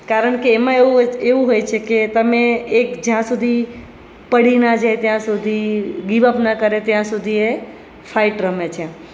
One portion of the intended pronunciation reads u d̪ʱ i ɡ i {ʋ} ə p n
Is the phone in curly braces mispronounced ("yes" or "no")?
no